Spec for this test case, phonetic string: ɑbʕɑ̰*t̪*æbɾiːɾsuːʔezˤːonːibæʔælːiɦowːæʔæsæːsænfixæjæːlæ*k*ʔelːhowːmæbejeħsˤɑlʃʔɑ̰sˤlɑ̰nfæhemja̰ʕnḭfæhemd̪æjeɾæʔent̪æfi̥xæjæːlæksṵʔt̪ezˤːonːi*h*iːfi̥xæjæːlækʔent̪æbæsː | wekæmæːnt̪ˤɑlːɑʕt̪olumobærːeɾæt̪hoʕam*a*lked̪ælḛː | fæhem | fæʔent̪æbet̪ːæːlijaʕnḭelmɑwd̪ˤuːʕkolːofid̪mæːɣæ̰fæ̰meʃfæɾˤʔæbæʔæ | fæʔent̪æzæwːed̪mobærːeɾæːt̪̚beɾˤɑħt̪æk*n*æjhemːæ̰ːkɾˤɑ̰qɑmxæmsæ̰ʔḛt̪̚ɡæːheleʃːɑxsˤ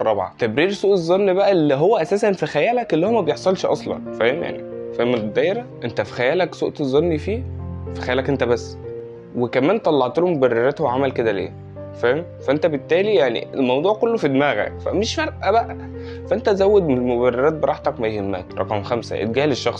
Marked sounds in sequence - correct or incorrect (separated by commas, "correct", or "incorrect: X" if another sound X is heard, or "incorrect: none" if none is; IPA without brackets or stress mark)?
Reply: correct, correct, incorrect: f, incorrect: æ, incorrect: m